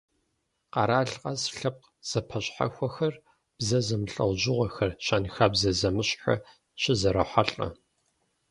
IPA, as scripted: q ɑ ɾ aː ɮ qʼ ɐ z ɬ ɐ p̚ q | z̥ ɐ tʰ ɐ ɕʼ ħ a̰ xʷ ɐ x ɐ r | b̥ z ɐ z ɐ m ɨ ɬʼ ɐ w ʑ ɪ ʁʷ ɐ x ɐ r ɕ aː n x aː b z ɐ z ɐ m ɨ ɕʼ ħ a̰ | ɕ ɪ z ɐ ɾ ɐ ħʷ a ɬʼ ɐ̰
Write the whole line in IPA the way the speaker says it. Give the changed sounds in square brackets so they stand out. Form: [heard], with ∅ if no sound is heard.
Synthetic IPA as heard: q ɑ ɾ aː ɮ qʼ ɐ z ɬ ɐ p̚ q | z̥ ɐ [pʰ] ɐ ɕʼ ħ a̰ xʷ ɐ x ɐ r | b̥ z ɐ z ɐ m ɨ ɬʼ ɐ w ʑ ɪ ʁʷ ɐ x ɐ r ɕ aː n x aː b z ɐ z ɐ m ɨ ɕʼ ħ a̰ | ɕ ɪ z ɐ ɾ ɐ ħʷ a ɬʼ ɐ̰